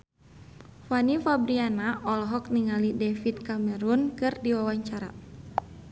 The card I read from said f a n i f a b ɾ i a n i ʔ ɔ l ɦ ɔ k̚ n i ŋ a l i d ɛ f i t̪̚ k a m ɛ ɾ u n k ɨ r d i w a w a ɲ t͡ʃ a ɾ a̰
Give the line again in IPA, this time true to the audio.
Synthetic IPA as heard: f a n i f a b ɾ i a n a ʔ ɔ l ɦ ɔ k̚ n i ŋ a l i d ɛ f i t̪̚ k a m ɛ ɾ u n k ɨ r d i w a w a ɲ t͡ʃ a ɾ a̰